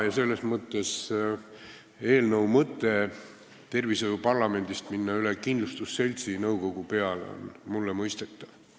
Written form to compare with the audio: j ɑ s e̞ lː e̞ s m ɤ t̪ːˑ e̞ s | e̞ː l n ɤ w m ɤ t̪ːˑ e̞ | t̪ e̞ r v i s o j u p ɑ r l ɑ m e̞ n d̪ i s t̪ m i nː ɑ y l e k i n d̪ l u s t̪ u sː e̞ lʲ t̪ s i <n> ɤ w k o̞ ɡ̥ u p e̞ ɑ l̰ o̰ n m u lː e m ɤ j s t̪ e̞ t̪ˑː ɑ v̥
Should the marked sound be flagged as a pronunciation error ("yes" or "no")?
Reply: no